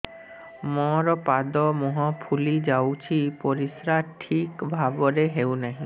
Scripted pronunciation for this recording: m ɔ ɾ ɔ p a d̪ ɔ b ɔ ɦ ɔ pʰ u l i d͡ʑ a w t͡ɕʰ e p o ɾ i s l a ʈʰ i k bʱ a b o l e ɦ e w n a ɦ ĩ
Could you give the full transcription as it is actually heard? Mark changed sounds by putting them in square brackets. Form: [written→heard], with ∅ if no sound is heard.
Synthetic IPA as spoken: m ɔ ɾ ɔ p a d̪ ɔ [b→m] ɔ ɦ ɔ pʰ u l i d͡ʑ a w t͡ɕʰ [e→i] p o ɾ i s [l→ɾ] a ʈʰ i k bʱ a b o [l→ɾ] e ɦ e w n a ɦ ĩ